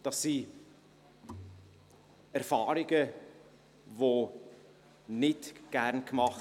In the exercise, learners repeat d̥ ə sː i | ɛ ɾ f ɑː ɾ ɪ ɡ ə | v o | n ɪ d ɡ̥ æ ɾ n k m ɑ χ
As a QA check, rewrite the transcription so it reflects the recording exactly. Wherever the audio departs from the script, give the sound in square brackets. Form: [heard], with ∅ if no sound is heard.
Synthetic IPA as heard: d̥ [ɑ] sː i | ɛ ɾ f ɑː ɾ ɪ ɡ ə | v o | n ɪ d ɡ̥ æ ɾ n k m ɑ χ

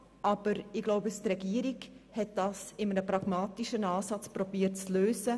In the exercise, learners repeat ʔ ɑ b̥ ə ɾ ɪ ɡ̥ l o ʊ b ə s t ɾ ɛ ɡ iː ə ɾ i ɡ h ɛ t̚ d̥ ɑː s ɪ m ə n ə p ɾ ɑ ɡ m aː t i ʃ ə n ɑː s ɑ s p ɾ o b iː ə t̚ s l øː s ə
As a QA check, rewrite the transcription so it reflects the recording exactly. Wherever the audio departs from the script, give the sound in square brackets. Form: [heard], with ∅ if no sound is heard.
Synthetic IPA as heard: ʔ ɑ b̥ ə ɾ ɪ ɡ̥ l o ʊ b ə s t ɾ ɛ ɡ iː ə ɾ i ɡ h ɛ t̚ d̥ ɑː s ɪ m ə n ə p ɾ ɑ ɡ m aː t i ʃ ə n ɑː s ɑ [t͡s] p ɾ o b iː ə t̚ [t͡s] l øː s ə

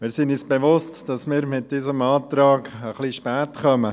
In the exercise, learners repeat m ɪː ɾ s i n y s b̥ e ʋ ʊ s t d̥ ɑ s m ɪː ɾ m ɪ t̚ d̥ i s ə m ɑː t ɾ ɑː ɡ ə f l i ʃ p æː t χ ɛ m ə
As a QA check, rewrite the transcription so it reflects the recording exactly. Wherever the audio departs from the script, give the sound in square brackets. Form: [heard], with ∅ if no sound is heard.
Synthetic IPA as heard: m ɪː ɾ s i n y s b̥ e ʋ ʊ s t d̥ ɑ s m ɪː ɾ m ɪ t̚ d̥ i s ə m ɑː t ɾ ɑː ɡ ə [χ] l i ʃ p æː t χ [œ] m ə

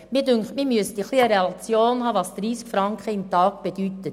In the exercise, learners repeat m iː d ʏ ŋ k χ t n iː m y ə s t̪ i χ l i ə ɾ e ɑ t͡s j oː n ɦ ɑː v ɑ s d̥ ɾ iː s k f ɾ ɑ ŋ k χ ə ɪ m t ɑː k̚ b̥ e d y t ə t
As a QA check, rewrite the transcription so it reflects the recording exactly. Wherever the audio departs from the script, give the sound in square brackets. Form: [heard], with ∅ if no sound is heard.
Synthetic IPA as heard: m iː d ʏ ŋ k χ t [m] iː m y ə s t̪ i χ l i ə ɾ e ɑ t͡s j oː n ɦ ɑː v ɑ s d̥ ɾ iː s k f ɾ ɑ ŋ k χ ə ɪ m t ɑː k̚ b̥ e d y t ə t

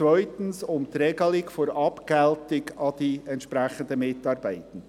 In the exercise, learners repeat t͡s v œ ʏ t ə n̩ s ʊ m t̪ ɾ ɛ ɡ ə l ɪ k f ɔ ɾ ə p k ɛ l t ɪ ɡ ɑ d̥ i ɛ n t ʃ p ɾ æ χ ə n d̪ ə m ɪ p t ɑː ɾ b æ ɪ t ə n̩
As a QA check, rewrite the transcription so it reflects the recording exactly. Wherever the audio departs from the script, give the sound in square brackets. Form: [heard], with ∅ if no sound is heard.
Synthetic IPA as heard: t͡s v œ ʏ t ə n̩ s ʊ m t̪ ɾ ɛ ɡ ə l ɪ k f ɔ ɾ [ɑ] p k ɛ l t ɪ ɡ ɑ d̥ i ɛ n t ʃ p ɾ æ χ ə n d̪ ə m ɪ [∅] t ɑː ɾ b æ ɪ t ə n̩

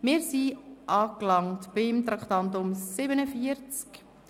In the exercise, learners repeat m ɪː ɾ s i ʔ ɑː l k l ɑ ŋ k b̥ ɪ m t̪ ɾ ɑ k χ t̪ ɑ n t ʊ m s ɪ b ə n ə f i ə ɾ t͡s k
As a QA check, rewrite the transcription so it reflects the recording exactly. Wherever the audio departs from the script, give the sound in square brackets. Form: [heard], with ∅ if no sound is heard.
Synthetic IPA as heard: m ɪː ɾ s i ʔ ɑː [∅] k l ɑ ŋ [t] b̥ ɪ m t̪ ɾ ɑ k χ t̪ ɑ n t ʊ m s ɪ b ə n ə f i ə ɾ t͡s k

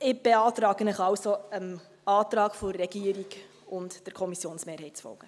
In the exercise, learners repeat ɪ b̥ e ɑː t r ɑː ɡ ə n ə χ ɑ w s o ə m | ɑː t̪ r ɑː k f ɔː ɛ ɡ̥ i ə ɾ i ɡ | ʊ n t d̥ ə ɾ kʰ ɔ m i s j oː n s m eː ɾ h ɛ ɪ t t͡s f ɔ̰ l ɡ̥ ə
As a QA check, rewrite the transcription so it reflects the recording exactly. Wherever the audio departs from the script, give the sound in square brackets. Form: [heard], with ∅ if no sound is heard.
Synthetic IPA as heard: ɪ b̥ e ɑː t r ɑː ɡ ə n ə χ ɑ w s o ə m | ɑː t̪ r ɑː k f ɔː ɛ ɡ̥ i ə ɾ i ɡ | ʊ n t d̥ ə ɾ kʰ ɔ m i s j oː n s m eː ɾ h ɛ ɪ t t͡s f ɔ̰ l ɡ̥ ə

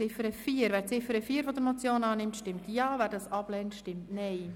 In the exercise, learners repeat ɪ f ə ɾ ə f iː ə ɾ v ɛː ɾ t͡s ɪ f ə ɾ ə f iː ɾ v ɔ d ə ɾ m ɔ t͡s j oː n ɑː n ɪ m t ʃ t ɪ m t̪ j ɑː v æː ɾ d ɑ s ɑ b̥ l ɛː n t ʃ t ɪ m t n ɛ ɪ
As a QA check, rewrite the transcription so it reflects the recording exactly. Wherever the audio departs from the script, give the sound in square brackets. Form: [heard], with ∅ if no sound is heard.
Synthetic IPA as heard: ɪ f ə ɾ ə f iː ə ɾ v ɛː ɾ t͡s ɪ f ə ɾ ə f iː ɾ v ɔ d ə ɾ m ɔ t͡s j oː n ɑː n ɪ m t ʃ t ɪ m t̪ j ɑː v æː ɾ d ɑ s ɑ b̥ l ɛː n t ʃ t ɪ m t n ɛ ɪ

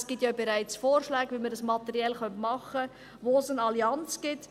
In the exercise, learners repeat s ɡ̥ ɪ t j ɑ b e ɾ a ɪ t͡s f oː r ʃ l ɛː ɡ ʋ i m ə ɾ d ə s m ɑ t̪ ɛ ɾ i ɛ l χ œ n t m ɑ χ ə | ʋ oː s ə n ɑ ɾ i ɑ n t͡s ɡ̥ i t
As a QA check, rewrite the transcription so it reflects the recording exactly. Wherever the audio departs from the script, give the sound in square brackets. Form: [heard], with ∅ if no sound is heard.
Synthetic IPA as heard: s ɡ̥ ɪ t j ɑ b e ɾ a ɪ t͡s f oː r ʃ l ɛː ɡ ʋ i m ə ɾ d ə s m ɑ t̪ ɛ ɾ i ɛ l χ œ n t m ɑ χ ə | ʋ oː s ə n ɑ [l] i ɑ n t͡s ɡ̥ [ɪ] t

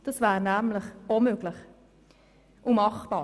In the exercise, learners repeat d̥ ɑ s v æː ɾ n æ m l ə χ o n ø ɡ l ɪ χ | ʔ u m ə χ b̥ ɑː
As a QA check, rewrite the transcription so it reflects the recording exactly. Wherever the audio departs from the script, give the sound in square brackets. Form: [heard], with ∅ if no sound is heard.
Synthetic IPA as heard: d̥ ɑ s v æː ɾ n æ m l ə χ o [m] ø ɡ l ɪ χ | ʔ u m [ɑ] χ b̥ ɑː

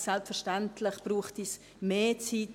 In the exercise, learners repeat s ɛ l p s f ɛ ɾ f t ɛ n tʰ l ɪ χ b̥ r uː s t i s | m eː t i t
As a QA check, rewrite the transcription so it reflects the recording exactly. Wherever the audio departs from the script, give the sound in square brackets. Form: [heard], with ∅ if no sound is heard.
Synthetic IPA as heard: s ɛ l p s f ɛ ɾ [ʃ] t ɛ n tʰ l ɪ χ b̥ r uː [χ] t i s | m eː [t͡s] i t

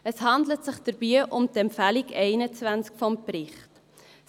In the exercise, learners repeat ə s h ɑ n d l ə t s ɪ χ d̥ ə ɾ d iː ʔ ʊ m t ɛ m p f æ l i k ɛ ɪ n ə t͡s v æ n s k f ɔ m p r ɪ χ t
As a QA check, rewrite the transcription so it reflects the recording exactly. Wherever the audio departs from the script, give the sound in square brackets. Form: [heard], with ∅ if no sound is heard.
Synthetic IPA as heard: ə s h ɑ n d l ə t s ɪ χ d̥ ə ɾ [b] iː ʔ ʊ m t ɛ m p f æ l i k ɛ ɪ n ə t͡s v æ n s k f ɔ m p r ɪ χ t

